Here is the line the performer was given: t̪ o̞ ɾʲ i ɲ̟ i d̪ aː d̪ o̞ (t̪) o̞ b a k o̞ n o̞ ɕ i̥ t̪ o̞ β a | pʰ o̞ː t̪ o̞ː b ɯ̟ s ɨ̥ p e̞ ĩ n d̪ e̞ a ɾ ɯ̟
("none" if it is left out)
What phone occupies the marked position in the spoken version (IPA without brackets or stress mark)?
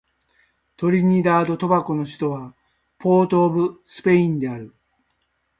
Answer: t̪